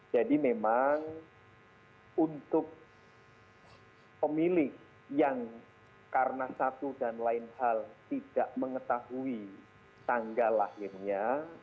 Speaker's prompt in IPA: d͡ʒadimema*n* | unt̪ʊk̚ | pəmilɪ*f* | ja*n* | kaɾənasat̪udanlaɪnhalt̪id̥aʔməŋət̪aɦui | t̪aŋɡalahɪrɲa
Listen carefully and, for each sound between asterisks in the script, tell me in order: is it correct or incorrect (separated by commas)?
incorrect, incorrect, incorrect